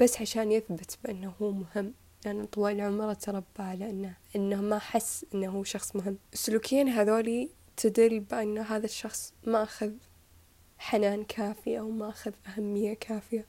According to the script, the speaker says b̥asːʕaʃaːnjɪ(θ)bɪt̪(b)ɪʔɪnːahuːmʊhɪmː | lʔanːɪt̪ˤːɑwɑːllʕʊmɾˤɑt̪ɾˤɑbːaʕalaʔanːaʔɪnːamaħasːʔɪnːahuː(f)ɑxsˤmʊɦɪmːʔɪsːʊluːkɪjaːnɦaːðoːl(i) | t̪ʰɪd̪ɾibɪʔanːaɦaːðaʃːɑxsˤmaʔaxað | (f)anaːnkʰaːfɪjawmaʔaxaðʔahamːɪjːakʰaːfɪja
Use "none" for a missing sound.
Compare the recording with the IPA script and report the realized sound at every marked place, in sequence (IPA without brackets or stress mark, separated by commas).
θ, b, ʃ, i, ħ